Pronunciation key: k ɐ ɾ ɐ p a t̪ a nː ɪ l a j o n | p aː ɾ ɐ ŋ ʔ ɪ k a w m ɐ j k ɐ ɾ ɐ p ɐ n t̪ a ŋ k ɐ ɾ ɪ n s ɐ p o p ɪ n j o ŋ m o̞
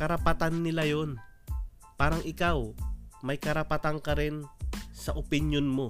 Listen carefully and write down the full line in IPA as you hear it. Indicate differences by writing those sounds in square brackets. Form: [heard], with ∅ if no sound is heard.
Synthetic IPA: k ɐ ɾ ɐ p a t̪ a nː ɪ l a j o n | p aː ɾ ɐ ŋ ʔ ɪ k a w m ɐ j k ɐ ɾ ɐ p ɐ [∅] t̪ a ŋ k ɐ ɾ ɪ n s ɐ [ʔ] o p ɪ n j o [n] m o̞